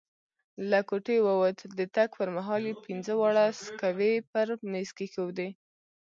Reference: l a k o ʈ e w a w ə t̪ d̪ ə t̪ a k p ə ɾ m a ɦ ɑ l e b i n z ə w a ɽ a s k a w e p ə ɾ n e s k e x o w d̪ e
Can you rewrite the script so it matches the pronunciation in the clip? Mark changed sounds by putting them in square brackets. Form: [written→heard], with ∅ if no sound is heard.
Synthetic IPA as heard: l a k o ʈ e w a w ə t̪ d̪ ə t̪ a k p ə ɾ m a ɦ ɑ l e [b→p] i n z ə w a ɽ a s k a w e p ə ɾ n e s k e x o w d̪ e